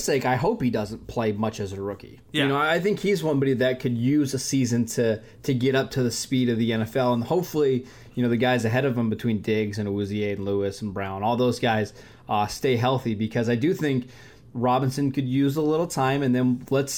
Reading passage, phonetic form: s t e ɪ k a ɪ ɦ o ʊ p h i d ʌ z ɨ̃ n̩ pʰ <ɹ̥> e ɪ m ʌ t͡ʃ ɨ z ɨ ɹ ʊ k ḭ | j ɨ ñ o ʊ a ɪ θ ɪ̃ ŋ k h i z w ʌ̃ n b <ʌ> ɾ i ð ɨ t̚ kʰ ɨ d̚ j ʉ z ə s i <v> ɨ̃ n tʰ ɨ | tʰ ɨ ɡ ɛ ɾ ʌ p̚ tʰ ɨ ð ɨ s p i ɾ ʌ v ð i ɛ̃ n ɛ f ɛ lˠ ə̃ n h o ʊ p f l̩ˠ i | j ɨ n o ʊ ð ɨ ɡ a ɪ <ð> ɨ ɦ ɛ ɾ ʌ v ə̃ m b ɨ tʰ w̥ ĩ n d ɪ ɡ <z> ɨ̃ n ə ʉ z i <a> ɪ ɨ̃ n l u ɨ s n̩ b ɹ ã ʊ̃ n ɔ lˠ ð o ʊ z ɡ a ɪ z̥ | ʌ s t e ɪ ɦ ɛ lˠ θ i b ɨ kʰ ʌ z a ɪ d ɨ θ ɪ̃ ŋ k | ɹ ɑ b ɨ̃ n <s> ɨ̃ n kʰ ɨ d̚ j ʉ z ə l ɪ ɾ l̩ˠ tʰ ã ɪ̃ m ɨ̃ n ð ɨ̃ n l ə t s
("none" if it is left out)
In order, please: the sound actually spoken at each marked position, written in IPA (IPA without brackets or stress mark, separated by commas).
l̥, ɑ, z, z, z, e, s